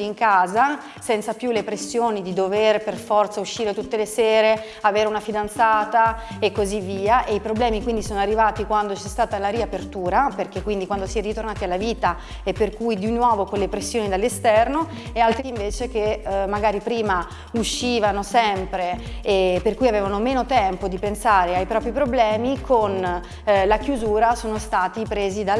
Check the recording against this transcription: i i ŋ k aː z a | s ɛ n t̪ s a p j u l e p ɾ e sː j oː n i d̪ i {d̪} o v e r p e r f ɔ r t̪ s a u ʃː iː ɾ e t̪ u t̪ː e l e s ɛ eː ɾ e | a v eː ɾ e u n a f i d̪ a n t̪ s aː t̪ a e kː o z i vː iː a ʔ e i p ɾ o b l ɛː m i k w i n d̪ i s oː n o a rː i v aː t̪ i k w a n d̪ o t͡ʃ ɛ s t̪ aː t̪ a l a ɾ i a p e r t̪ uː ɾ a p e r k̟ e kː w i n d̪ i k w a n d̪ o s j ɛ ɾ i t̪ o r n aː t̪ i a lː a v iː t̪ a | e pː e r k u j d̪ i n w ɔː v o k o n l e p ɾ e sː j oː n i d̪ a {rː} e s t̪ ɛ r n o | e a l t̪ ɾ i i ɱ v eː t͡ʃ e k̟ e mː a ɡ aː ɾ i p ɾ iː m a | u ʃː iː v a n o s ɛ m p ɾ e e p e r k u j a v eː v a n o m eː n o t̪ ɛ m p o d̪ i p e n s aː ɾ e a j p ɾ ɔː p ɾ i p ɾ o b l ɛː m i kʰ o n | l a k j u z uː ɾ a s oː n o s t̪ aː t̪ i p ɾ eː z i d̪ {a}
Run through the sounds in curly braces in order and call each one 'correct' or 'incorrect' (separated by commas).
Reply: correct, incorrect, correct